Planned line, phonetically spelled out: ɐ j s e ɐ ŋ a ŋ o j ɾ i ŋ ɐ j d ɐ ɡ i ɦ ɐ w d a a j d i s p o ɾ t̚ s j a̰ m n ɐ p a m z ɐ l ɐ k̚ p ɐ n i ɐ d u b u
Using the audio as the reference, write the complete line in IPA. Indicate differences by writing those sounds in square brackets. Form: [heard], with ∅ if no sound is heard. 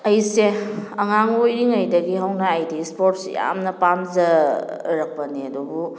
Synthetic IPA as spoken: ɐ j s e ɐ ŋ a ŋ o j ɾ i ŋ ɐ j d ɐ ɡ i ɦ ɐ w [n] a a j d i s p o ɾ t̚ s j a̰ m n ɐ p a m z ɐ [ɾ] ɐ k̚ p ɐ n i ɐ d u b u